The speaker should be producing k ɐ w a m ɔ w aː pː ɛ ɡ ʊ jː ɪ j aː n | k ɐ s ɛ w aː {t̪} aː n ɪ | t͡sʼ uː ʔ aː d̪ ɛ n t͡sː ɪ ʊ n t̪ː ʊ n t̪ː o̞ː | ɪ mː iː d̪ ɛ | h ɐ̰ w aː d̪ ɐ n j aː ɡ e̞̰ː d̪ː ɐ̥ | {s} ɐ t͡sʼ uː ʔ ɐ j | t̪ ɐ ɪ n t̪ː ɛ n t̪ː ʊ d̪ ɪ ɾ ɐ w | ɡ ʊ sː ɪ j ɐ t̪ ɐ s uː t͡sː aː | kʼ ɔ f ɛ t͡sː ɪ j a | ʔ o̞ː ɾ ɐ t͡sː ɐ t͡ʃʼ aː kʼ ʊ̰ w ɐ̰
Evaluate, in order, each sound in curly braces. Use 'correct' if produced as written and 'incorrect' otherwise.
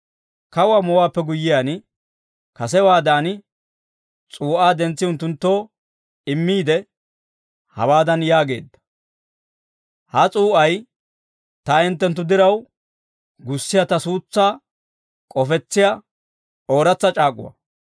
incorrect: d̪, incorrect: h

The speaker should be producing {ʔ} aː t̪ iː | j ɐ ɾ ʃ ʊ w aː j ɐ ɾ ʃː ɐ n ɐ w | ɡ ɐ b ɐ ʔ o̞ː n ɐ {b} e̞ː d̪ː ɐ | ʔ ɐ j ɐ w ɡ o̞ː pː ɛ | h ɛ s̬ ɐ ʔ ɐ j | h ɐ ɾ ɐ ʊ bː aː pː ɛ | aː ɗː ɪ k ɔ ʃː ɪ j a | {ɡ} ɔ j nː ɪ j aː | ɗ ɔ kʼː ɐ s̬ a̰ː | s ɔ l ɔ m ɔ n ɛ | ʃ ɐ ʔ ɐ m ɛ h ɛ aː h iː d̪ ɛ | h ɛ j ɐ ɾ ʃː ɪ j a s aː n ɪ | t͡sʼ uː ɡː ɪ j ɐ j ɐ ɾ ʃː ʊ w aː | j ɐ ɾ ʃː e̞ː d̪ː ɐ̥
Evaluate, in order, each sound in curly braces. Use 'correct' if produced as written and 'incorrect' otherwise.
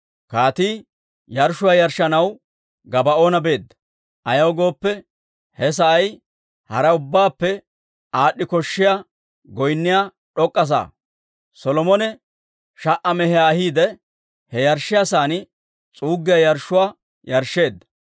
incorrect: k, correct, correct

